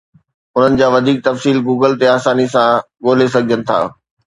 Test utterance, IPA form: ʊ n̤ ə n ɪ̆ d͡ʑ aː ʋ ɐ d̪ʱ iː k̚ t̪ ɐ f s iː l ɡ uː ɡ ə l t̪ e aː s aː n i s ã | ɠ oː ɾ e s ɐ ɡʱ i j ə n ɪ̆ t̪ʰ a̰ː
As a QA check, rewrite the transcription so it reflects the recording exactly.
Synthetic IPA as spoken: ʊ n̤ ə n ɪ̆ d͡ʑ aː ʋ ɐ d̪ʱ iː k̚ t̪ ɐ f s iː l ɡ uː ɡ ə l t̪ e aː s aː n i s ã | ɠ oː l e s ɐ ɡʱ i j ə n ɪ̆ t̪ʰ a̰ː